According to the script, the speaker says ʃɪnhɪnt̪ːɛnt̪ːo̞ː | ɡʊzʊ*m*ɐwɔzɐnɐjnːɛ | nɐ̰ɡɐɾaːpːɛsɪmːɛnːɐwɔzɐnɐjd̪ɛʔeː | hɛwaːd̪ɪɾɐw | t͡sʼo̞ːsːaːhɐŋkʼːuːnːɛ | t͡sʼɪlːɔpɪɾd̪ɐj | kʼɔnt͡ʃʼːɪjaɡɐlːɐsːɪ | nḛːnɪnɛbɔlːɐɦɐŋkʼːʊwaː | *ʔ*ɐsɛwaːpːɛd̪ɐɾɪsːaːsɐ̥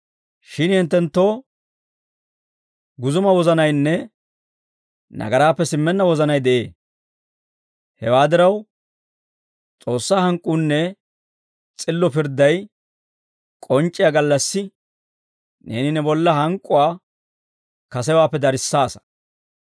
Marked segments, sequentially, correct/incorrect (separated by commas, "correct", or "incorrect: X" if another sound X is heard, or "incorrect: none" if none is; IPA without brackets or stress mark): correct, incorrect: k